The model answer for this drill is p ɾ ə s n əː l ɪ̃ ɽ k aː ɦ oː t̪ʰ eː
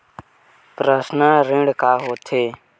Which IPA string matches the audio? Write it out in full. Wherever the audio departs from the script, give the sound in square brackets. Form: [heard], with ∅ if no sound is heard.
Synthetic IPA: p ɾ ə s n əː [ɾ] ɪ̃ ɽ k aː ɦ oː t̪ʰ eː

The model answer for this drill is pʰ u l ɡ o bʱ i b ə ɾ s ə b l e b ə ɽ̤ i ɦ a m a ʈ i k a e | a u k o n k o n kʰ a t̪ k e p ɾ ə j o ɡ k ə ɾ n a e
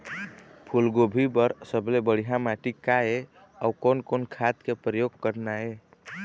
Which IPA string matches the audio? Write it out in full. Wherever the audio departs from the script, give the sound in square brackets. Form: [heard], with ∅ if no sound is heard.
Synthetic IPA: pʰ u l ɡ o bʱ i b ə ɾ s ə b l e b ə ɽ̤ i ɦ a m a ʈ i k a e | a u k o n k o n kʰ a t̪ k e p ɾ ə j o ɡ k ə ɾ n a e

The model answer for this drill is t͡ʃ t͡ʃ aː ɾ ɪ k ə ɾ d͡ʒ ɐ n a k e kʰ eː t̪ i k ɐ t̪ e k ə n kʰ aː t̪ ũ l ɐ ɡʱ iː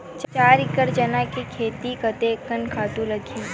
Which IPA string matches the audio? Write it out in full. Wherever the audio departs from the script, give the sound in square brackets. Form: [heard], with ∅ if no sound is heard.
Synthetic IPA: t͡ʃ t͡ʃ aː ɾ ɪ k ə ɾ d͡ʒ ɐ n a k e kʰ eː t̪ i k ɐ t̪ e k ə n kʰ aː t̪ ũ l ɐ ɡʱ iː

